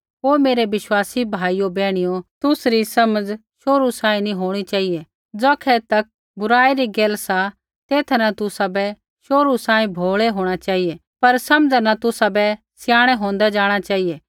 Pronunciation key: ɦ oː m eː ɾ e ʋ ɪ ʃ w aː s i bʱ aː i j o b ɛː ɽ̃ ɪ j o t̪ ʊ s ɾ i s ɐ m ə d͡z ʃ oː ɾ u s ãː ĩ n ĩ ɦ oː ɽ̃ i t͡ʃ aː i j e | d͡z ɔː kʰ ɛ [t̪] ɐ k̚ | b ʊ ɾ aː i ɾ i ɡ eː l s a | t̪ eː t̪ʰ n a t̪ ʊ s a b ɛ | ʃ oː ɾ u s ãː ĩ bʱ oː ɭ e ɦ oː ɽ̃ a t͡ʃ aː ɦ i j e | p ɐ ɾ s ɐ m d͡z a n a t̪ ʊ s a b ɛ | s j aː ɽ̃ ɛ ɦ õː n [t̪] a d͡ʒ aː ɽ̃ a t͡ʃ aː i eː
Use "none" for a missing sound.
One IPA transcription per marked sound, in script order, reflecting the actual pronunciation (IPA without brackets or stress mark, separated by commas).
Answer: t̪, d̪